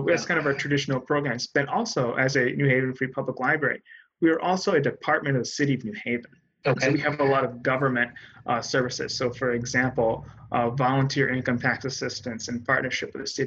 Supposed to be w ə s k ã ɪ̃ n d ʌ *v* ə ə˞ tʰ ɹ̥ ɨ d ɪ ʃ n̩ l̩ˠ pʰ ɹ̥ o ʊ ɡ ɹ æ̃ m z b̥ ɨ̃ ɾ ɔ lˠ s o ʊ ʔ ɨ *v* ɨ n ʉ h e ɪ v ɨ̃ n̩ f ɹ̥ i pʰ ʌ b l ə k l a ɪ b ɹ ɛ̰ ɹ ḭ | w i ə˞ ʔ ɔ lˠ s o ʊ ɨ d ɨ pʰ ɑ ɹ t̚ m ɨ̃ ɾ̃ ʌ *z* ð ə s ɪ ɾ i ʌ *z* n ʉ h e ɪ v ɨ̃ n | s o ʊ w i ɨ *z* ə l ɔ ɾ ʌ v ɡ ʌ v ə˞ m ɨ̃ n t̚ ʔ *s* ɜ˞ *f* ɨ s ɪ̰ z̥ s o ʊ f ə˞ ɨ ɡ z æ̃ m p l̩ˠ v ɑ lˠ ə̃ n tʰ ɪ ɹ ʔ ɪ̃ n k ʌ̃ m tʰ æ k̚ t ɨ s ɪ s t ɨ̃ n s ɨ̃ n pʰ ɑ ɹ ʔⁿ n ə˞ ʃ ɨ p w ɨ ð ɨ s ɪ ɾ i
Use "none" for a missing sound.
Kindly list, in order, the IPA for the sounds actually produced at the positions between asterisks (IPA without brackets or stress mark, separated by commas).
v, z, v, v, v, s, v